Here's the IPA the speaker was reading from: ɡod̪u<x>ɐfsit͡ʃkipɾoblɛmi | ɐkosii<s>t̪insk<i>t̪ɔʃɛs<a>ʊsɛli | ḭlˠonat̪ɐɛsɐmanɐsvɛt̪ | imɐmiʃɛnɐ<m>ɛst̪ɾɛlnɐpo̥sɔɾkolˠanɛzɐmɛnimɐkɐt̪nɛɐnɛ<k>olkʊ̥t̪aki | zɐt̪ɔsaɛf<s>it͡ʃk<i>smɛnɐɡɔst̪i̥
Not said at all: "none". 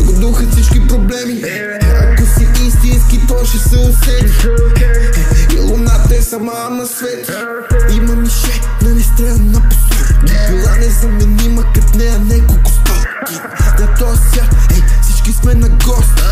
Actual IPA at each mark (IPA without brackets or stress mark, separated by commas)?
x, s, i, ɛ, n, k, s, i